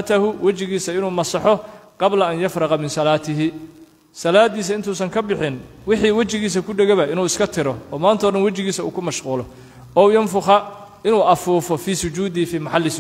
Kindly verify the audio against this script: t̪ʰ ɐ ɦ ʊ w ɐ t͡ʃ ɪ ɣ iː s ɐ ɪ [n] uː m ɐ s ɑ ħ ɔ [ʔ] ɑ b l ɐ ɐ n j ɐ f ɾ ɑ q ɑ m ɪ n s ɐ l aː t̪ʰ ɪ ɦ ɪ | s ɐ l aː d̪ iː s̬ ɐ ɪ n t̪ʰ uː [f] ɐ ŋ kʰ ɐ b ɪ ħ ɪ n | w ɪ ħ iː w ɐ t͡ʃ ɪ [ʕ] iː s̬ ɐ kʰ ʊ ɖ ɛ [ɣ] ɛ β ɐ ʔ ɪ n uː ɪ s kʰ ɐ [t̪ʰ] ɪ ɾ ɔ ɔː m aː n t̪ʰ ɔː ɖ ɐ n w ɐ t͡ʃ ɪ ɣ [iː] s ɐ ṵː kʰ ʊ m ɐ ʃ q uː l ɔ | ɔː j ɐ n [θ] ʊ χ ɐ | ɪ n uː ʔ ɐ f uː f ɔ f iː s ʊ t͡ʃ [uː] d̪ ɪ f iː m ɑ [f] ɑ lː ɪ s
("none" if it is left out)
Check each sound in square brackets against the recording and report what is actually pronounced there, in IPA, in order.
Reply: n, q, s, ɣ, ɣ, t̪ʰ, iː, f, uː, ħ

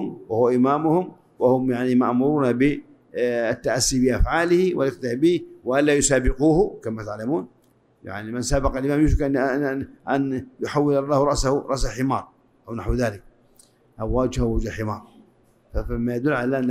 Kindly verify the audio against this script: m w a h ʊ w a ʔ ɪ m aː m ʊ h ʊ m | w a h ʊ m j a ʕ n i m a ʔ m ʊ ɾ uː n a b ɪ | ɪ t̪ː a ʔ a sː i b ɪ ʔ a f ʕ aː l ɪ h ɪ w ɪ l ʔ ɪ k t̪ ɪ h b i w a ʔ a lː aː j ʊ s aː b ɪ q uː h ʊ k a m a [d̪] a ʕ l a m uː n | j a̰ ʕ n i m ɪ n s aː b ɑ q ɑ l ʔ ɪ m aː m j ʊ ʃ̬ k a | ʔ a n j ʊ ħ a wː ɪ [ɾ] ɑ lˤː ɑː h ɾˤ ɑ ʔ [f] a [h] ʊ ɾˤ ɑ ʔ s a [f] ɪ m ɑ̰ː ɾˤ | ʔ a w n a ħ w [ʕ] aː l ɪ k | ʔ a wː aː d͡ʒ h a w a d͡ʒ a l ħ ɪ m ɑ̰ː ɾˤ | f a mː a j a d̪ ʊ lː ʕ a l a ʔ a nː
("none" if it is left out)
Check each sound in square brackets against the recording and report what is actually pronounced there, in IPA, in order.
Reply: t̪, l, s, h, ħ, ð

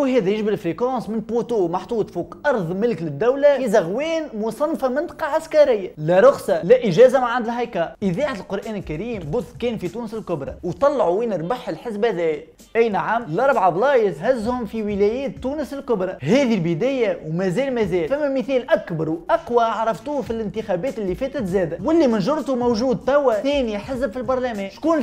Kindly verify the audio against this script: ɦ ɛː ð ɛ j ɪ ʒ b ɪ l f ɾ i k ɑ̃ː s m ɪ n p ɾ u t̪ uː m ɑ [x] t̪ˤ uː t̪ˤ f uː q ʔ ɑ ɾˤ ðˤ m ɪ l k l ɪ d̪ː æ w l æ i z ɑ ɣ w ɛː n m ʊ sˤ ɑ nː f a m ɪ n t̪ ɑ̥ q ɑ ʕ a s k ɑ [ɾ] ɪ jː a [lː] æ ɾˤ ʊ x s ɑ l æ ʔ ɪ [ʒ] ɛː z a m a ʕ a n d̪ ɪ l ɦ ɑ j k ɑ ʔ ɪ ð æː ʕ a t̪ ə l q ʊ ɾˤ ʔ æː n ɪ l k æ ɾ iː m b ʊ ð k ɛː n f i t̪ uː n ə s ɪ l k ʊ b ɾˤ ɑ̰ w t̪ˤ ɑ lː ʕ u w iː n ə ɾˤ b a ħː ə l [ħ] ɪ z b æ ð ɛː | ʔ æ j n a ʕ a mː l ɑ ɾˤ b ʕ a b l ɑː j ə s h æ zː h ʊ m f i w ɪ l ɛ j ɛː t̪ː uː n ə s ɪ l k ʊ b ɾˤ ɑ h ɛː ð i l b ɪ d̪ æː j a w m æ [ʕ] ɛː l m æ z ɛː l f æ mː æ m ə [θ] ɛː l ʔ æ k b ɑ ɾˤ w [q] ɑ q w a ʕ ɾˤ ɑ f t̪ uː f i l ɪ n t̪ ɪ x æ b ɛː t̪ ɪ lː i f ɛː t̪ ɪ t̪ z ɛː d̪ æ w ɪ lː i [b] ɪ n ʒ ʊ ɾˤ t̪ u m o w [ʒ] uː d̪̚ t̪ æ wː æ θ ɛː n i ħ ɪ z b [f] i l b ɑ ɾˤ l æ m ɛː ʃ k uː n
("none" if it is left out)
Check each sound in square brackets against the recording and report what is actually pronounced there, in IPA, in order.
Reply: ħ, ɾ, l, ʒ, ħ, z, θ, ʔ, m, ʒ, f

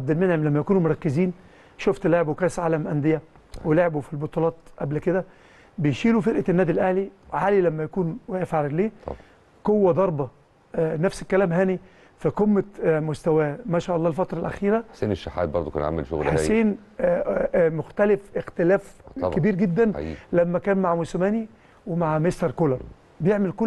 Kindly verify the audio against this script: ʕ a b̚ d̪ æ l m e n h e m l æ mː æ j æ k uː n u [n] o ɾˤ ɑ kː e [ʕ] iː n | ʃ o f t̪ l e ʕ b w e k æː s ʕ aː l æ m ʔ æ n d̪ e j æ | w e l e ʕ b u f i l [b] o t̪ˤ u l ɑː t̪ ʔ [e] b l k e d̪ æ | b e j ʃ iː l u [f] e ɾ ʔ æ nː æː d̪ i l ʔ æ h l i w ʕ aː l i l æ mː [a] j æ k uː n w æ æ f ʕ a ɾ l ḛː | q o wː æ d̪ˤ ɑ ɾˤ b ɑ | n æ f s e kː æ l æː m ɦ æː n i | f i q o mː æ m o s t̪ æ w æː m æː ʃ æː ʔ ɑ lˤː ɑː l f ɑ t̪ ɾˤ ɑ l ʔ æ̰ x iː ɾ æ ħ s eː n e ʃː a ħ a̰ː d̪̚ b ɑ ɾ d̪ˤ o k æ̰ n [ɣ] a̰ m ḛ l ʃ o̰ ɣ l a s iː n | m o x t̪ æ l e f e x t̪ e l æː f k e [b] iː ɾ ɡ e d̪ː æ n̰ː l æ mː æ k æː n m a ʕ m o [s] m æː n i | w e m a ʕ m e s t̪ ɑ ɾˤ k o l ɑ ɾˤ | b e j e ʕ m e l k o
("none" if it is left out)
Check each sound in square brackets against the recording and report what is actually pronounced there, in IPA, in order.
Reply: m, z, b, æ, f, æ, ʕ, b, s

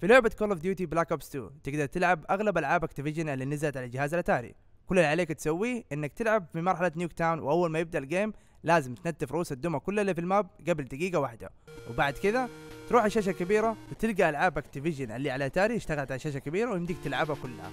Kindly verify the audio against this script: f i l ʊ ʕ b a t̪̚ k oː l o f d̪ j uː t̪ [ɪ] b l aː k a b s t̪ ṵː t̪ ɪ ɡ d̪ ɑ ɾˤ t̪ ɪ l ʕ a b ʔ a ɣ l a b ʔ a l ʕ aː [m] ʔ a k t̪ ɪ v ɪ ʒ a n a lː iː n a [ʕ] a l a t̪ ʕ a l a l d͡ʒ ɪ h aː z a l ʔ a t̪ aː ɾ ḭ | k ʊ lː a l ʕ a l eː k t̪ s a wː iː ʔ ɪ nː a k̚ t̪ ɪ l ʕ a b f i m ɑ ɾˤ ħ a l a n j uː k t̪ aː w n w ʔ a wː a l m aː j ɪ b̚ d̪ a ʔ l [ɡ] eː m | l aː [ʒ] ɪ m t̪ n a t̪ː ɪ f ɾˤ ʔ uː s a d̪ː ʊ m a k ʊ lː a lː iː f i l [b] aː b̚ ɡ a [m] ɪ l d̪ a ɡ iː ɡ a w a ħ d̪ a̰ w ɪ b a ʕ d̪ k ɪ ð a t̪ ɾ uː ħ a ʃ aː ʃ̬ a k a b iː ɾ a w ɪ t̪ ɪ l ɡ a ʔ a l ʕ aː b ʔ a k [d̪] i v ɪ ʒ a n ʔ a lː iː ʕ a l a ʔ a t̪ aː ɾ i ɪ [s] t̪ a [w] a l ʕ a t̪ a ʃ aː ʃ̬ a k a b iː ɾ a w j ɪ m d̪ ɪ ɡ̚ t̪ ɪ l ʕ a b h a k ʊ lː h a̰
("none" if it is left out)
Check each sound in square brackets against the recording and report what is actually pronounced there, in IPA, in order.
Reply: i, b, z, ɡ, z, m, b, t̪, ʃ, ɣ

